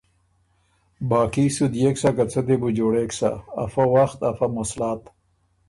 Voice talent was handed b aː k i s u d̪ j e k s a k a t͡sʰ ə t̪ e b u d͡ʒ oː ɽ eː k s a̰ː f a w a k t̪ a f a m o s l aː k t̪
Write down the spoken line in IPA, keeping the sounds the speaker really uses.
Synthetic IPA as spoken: b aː k i s u d̪ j e k s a k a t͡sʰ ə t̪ e b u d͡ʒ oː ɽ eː k s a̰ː f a w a x t̪ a f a m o s l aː t̪